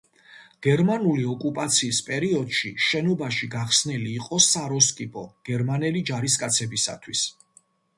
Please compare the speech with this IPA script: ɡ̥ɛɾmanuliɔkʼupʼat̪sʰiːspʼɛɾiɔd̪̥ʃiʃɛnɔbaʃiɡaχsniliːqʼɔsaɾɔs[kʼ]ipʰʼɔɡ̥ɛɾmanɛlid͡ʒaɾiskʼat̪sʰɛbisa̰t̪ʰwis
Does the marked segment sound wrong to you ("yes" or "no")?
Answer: no